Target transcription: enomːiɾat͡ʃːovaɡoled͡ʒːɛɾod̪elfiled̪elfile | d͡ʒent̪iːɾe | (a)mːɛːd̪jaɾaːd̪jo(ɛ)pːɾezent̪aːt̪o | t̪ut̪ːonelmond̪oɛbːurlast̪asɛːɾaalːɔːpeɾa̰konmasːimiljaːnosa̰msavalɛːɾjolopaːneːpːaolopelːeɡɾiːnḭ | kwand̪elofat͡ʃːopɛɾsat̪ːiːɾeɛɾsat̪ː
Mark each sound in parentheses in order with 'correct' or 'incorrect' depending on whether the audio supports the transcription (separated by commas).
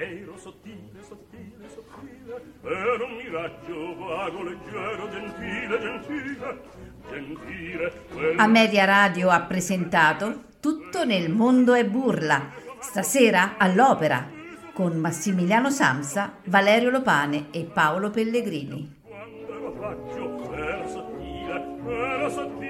correct, incorrect